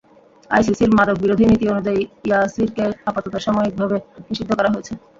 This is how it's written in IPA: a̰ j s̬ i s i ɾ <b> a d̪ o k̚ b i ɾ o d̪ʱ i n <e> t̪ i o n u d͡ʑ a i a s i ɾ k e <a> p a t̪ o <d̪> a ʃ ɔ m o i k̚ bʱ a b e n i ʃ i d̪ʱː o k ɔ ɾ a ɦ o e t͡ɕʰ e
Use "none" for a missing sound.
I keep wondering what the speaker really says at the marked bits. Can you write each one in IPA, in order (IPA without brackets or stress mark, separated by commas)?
m, i, a, t̪